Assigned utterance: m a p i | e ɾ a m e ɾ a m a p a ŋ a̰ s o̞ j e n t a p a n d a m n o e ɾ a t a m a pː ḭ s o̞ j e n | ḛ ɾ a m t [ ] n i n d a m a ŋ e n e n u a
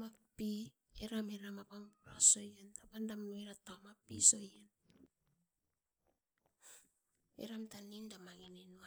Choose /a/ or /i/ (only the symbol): a